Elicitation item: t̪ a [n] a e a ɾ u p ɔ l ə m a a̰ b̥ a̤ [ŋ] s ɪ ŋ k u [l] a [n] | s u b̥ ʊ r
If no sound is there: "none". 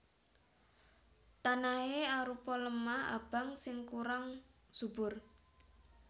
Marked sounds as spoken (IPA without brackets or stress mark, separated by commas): n, ŋ, ɾ, ŋ